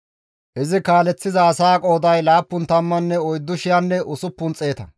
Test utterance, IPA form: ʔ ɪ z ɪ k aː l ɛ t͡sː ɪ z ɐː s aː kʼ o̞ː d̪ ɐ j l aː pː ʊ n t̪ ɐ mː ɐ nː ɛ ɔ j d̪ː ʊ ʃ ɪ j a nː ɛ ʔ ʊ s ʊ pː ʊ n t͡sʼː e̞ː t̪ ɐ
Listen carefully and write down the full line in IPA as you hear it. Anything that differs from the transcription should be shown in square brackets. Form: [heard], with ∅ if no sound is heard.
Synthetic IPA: ʔ ɪ z ɪ k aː l ɛ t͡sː ɪ z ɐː s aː kʼ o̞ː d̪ ɐ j l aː pː ʊ n t̪ ɐ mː ɐ nː ɛ ɔ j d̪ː ʊ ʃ ɪ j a nː ɛ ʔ ʊ s ʊ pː ʊ n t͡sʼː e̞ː t̪ ɐ